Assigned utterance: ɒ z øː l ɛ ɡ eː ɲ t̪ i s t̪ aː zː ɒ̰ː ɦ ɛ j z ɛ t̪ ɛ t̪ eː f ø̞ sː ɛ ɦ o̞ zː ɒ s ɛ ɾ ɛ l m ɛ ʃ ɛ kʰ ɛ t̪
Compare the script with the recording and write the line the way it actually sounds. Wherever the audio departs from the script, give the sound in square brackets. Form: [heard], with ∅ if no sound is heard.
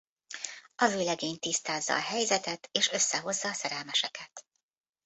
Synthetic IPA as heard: ɒ z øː l ɛ ɡ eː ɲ t̪ i s t̪ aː zː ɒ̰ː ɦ ɛ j z ɛ t̪ ɛ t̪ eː [ʃ] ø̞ sː ɛ ɦ o̞ zː [ɒː] s ɛ ɾ ɛ l m ɛ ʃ ɛ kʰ ɛ t̪